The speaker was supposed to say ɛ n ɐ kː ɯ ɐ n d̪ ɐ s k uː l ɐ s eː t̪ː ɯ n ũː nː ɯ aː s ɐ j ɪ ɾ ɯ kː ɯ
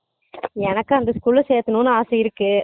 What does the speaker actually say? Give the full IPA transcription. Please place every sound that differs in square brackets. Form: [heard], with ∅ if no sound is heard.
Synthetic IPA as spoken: ɛ n ɐ kː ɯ ɐ n d̪ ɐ s k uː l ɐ s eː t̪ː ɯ n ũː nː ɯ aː s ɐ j ɪ ɾ ɯ kː ɯ